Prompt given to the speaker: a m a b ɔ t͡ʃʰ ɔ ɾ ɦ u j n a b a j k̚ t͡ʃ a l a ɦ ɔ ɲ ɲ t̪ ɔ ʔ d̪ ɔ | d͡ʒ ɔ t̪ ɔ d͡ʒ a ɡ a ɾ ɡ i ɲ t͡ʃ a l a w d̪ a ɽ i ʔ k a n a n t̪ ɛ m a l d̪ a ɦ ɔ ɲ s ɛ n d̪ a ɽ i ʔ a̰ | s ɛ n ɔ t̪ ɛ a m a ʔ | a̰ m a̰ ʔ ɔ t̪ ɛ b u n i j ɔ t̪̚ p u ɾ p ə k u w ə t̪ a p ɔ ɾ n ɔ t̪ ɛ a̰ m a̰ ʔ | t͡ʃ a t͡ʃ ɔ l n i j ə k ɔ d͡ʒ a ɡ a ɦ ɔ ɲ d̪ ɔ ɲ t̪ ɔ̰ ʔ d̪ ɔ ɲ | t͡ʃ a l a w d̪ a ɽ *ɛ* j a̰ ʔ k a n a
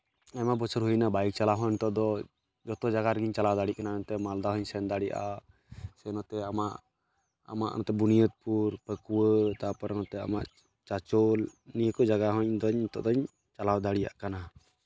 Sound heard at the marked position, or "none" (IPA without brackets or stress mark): i